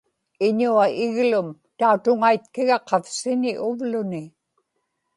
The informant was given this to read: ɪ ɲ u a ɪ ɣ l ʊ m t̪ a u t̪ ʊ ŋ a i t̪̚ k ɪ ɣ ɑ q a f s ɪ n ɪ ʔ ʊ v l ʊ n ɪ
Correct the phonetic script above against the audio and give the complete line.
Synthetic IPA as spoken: ɪ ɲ u a ɪ ɣ l ʊ m t̪ a u t̪ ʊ ŋ a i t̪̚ k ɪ ɣ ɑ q ɑ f s ɪ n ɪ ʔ ʊ v l ʊ n ɪ